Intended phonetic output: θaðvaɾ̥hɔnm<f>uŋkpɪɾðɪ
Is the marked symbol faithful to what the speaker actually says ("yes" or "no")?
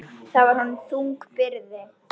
no